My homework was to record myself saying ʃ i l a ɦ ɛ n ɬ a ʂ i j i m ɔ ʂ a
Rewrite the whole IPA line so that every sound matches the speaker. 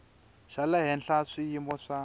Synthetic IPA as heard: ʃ a l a ɦ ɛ n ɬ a ʂ i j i m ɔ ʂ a